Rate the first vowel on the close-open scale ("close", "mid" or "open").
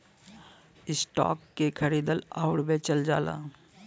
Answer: close